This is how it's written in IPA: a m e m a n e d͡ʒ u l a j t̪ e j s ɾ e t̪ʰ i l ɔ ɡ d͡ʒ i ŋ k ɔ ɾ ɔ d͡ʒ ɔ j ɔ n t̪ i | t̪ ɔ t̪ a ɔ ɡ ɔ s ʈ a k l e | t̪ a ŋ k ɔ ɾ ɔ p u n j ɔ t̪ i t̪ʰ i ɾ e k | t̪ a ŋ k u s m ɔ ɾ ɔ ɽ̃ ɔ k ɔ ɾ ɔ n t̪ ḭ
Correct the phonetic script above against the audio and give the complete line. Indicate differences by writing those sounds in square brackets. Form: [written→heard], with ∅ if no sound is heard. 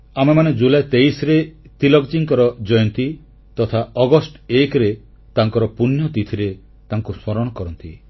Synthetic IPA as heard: a m e m a n e d͡ʒ u l a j t̪ e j s ɾ e [t̪ʰ→t̪] i l ɔ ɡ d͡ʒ i ŋ k ɔ ɾ ɔ d͡ʒ ɔ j ɔ n t̪ i | t̪ ɔ [t̪→t̪ʰ] a ɔ ɡ ɔ s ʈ [a→e] k [l→ɾ] e | t̪ a ŋ k ɔ ɾ ɔ p u n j ɔ t̪ i t̪ʰ i ɾ e [k→∅] | t̪ a ŋ k u s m ɔ ɾ ɔ ɽ̃ ɔ k ɔ ɾ ɔ n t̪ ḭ